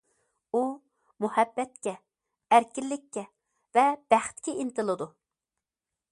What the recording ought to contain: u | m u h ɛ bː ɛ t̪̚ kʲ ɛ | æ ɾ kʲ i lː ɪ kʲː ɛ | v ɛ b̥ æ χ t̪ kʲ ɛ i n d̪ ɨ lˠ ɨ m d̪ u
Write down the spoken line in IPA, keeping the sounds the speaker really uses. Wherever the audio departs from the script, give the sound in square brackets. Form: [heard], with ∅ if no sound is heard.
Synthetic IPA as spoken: u | m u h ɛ bː ɛ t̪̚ kʲ ɛ | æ ɾ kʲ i lː ɪ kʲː ɛ | v ɛ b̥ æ χ t̪ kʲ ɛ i n [t̪] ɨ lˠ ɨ [∅] d̪ u